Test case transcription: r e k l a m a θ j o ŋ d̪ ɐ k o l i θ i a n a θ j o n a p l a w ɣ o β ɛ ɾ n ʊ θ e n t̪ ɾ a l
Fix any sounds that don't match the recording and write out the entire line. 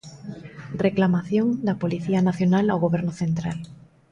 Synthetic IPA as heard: r e k l a m a θ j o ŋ d̪ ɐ p o l i θ i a n a θ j o n a l a w ɣ o β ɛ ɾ n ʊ θ e n t̪ ɾ a l